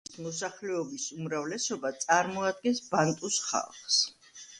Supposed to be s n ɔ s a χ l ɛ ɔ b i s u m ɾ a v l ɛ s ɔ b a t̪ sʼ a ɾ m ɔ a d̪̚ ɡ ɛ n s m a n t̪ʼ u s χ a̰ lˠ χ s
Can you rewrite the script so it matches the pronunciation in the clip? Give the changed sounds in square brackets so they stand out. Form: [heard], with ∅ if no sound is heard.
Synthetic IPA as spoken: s [m] ɔ s a χ l ɛ ɔ b i s u m ɾ a v l ɛ s ɔ b a t̪ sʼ a ɾ m ɔ a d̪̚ ɡ ɛ n s [b] a n t̪ʼ u s χ a̰ lˠ χ s